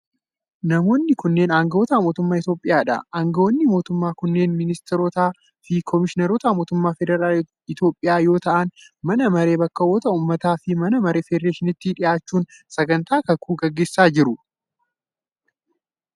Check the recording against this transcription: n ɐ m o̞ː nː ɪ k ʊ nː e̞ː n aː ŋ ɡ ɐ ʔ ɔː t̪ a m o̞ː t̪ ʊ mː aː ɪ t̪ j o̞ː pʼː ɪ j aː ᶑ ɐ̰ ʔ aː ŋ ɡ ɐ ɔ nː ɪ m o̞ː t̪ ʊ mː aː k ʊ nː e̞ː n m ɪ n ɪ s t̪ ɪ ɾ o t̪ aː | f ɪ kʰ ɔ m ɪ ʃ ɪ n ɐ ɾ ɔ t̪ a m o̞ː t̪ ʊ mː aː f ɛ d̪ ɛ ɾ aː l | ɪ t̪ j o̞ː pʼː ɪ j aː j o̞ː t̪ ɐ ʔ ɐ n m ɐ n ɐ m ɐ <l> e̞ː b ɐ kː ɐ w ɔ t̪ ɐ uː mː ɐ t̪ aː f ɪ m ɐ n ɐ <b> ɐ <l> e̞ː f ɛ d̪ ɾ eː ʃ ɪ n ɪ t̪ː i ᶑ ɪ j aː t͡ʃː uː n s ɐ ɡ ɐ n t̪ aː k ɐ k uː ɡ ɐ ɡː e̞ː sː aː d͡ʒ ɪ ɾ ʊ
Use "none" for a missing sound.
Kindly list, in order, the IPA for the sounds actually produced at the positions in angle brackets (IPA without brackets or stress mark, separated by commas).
ɾ, m, ɾ